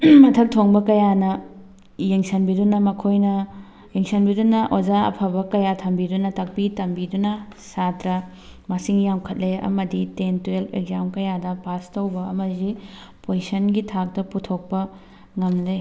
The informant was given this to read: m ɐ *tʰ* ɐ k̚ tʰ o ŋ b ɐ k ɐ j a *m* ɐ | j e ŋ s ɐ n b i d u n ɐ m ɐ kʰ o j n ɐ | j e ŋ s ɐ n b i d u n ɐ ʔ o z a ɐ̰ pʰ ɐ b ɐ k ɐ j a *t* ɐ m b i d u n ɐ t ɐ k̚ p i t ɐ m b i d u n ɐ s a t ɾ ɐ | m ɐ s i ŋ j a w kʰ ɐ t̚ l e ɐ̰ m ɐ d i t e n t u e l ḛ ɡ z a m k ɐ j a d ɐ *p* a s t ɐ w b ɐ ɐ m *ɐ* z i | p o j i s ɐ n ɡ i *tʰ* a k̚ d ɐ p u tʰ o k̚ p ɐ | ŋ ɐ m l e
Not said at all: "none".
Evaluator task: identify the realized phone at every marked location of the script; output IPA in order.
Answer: tʰ, n, tʰ, p, ɐ, tʰ

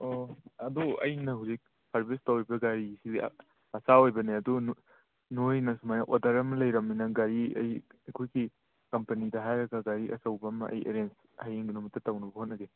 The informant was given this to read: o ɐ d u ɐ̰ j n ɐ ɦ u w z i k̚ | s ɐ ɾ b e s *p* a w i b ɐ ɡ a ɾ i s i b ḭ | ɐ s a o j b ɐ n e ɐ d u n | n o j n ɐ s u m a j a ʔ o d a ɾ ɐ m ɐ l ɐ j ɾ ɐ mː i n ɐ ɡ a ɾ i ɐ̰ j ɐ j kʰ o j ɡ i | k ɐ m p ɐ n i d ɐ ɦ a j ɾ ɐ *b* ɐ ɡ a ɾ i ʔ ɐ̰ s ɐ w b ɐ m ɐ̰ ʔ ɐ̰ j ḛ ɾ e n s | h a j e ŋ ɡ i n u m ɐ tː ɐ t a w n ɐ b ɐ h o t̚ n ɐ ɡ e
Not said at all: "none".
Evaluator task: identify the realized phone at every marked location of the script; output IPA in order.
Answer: t, ɡ

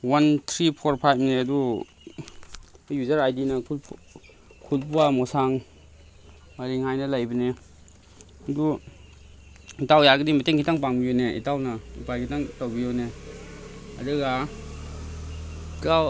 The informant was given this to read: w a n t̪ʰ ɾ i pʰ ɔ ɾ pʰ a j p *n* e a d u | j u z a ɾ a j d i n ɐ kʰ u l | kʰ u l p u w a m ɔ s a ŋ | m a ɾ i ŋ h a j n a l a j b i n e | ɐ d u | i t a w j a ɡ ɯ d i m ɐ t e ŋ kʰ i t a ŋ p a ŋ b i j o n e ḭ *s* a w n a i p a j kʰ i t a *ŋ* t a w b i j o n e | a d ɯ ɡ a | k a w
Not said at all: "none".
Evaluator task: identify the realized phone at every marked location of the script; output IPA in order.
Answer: n, t, ŋ

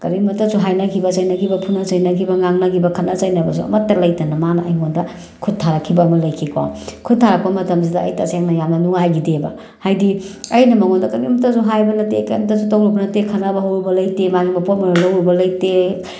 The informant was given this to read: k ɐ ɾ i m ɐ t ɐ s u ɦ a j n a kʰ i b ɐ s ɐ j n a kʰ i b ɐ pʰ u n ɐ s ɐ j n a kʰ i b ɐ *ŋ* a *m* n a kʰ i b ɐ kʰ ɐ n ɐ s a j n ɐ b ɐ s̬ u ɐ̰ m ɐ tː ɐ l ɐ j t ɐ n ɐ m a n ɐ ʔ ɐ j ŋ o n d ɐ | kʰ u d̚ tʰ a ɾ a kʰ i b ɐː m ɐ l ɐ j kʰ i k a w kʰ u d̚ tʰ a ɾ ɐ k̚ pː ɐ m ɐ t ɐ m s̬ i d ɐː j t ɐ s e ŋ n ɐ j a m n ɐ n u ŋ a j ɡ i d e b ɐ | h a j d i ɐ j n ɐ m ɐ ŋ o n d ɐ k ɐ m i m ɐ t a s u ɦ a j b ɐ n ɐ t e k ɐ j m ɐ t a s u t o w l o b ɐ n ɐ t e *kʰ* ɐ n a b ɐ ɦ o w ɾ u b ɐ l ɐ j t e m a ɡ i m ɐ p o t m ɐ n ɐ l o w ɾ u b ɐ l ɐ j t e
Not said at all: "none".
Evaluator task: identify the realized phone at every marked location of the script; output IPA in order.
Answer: ŋ, ŋ, kʰ

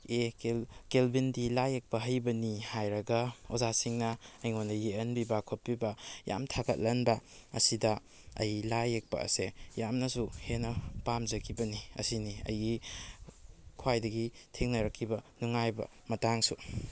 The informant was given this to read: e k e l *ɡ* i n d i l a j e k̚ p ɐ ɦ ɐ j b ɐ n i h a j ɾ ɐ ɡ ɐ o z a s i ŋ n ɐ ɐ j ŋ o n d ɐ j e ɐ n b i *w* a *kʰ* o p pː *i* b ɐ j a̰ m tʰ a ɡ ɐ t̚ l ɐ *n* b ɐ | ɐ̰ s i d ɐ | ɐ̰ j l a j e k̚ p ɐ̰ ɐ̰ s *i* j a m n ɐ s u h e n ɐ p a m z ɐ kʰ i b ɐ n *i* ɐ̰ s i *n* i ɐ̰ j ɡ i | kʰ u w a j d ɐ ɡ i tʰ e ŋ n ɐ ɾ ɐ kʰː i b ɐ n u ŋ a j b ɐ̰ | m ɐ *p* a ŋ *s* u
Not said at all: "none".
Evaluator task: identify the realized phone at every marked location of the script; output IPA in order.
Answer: b, b, kʰ, i, n, e, i, n, t, s

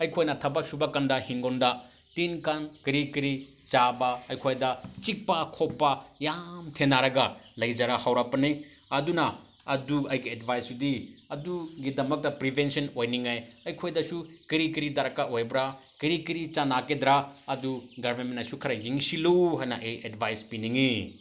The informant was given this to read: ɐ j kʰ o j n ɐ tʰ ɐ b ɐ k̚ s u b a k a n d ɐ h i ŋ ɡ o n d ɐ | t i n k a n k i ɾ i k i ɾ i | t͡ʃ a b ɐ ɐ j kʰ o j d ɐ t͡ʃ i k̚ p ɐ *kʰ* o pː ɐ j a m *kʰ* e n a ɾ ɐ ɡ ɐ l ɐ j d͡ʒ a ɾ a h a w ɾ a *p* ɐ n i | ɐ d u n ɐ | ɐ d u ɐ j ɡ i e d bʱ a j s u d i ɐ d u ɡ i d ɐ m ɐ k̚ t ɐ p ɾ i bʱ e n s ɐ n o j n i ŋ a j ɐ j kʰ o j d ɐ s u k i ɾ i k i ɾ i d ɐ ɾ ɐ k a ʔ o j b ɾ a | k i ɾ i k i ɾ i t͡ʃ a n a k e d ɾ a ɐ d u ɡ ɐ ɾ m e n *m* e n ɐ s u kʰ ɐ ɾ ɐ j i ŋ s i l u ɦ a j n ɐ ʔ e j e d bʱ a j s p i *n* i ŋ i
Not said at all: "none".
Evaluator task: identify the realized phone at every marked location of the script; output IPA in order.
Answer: kʰ, tʰ, p, m, n

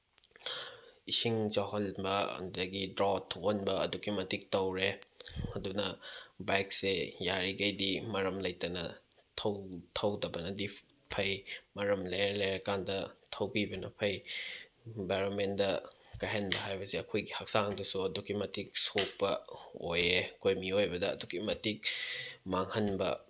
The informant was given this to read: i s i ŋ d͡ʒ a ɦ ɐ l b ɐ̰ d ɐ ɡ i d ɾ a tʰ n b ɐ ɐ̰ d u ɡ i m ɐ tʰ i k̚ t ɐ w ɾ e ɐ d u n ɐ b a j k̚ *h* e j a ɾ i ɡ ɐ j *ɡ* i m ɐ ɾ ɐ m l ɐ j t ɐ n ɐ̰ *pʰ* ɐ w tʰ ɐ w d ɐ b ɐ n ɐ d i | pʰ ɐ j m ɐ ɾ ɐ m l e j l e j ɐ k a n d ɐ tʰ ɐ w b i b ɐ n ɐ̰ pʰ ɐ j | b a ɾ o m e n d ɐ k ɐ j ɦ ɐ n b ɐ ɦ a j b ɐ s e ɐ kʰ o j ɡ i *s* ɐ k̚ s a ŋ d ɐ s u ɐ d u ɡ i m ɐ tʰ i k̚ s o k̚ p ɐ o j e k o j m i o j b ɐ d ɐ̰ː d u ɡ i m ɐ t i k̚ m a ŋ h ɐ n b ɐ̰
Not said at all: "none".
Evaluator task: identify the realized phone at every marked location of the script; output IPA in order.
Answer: s, d, tʰ, h

